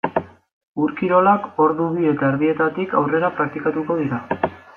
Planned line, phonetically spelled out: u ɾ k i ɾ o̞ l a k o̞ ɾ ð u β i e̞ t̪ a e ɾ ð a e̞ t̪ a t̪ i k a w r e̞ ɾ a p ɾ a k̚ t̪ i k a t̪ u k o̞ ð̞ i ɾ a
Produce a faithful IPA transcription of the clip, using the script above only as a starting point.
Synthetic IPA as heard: u ɾ k i ɾ o̞ l a k o̞ ɾ ð u β i e̞ t̪ a e ɾ ð i e̞ t̪ a t̪ i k a w r e̞ ɾ a p ɾ a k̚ t̪ i k a t̪ u k o̞ ð̞ i ɾ a